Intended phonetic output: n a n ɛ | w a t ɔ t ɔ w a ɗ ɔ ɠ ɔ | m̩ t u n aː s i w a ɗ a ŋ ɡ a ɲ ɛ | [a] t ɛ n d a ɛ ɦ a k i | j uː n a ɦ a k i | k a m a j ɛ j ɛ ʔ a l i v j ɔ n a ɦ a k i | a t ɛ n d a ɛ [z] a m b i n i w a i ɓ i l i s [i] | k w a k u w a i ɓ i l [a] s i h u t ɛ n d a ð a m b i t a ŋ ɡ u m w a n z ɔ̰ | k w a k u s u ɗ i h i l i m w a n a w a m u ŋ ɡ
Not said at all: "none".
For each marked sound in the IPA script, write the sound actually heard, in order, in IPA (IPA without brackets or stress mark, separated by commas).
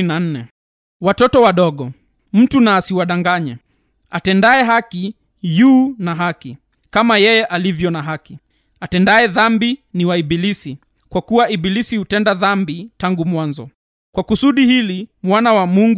a, ð, i, i